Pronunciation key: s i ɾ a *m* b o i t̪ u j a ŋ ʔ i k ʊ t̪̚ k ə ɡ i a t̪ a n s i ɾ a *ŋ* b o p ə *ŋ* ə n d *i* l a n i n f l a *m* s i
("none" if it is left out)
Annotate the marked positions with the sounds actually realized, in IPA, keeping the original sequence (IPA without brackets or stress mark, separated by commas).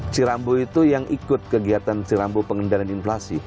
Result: m, m, ŋ, a, none